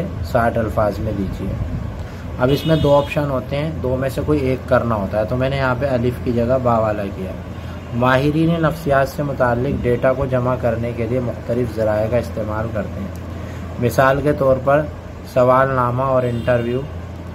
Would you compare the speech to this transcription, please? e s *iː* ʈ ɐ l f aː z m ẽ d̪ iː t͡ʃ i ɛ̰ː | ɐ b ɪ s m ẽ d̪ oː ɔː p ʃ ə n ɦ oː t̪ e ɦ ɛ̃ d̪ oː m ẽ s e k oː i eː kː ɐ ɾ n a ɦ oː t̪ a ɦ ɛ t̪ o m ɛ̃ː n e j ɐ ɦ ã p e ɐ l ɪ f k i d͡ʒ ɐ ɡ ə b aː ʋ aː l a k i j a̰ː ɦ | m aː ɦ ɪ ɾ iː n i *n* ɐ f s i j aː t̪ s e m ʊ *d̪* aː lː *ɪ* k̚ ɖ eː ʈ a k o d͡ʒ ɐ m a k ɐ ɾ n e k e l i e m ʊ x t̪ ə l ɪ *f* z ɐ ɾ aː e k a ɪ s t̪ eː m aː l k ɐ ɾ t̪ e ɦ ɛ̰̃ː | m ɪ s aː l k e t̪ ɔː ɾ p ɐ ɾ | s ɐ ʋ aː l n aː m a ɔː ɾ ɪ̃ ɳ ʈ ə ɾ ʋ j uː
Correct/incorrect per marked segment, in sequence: incorrect: aː, correct, incorrect: t̪, correct, correct

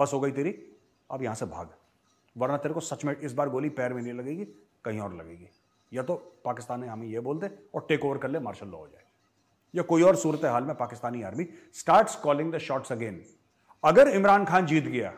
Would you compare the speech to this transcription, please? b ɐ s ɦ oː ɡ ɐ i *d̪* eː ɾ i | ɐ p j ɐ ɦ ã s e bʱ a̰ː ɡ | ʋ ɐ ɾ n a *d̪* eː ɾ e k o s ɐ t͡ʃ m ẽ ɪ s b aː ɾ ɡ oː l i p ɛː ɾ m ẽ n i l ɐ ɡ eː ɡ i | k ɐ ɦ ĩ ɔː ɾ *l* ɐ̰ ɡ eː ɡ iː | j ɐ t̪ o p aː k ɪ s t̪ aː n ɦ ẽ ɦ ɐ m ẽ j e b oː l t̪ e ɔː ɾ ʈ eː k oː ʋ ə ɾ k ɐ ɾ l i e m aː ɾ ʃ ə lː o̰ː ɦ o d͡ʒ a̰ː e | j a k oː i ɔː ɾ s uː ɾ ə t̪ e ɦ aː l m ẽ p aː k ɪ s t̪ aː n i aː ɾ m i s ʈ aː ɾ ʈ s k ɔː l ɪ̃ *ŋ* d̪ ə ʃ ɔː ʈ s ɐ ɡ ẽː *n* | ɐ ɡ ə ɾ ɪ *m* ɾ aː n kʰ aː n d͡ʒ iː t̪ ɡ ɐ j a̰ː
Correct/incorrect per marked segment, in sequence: incorrect: t̪, incorrect: t̪, correct, correct, correct, correct

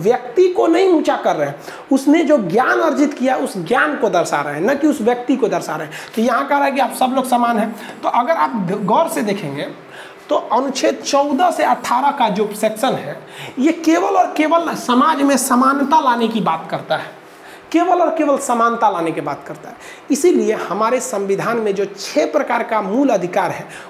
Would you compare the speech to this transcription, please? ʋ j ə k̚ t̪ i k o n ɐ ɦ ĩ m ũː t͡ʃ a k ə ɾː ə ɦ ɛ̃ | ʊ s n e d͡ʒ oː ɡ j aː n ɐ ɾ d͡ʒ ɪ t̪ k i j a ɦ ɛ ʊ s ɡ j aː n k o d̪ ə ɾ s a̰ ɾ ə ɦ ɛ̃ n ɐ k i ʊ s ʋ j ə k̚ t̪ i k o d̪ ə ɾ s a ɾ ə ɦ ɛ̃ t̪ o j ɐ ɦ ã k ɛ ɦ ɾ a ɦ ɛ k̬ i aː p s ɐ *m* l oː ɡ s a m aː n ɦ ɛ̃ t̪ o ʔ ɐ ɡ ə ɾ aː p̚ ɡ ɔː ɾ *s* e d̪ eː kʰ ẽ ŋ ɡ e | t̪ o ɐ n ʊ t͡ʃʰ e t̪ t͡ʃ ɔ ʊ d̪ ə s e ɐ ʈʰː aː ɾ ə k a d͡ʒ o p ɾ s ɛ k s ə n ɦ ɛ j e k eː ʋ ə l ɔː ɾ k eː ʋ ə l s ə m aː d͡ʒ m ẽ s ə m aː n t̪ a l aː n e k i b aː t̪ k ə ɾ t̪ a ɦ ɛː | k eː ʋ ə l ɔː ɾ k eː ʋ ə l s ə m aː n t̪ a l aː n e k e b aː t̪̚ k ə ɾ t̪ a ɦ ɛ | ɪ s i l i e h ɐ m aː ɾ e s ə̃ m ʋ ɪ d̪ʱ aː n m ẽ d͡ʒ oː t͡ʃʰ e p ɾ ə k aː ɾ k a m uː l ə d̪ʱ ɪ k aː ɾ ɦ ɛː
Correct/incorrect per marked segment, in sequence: incorrect: b, correct

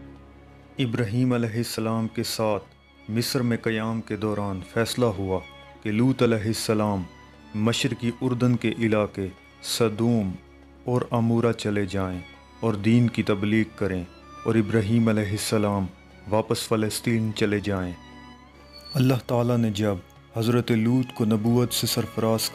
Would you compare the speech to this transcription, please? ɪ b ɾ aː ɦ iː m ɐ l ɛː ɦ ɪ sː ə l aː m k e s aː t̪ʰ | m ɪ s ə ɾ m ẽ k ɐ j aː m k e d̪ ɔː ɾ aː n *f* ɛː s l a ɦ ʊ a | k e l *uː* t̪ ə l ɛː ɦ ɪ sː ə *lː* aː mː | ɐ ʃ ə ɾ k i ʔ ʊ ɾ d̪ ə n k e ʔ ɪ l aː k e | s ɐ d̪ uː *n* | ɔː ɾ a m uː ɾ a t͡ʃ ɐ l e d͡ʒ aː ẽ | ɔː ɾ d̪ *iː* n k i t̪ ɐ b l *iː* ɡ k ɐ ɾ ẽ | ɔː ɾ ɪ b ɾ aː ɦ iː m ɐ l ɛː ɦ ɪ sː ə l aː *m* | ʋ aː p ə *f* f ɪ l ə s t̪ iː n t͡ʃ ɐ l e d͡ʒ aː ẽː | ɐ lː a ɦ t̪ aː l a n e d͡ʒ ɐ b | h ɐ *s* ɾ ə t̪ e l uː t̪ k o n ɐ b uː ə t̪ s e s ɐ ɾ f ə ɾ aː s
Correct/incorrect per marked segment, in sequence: correct, correct, incorrect: l, incorrect: m, correct, correct, correct, incorrect: s, incorrect: z

